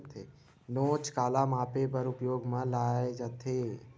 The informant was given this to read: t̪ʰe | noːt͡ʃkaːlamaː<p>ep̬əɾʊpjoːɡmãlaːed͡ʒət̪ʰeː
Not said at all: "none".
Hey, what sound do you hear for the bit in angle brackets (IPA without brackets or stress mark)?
p